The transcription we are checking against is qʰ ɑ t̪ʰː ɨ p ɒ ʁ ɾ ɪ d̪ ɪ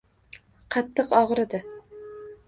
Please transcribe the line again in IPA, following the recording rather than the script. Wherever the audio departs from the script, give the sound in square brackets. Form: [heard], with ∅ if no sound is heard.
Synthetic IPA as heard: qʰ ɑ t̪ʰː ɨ [q] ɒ ʁ ɾ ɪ d̪ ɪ